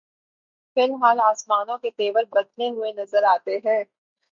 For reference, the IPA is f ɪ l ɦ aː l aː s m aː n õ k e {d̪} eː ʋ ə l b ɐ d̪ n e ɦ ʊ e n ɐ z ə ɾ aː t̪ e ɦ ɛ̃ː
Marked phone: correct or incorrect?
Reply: incorrect